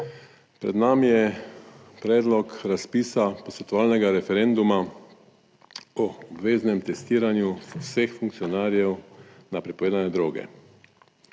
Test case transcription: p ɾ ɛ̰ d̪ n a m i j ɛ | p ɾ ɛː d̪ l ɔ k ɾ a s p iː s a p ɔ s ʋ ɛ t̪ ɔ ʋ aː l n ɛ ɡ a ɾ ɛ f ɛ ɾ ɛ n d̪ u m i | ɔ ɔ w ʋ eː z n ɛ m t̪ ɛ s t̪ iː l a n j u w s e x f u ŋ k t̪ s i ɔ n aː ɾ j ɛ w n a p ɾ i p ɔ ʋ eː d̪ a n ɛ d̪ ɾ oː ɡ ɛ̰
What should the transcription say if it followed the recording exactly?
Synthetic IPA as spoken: p ɾ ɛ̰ d̪ n a m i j ɛ | p ɾ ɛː d̪ l ɔ k ɾ a s p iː s a p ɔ s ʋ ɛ t̪ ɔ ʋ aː l n ɛ ɡ a ɾ ɛ f ɛ ɾ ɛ n d̪ u m a | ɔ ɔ b ʋ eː z n ɛ m t̪ ɛ s t̪ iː ɾ a n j u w s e x f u ŋ k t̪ s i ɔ n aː ɾ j ɛ w n a p ɾ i p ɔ ʋ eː d̪ a n ɛ d̪ ɾ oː ɡ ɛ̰